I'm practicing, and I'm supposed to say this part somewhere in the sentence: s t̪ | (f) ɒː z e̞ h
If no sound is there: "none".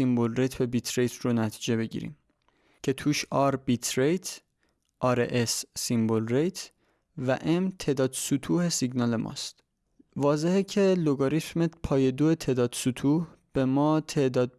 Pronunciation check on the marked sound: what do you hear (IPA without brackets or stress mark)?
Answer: v